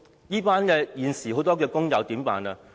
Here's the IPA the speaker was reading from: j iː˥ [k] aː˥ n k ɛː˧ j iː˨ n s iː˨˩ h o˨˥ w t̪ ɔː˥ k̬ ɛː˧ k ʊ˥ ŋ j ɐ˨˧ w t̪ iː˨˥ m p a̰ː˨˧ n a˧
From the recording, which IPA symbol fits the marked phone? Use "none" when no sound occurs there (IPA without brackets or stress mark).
p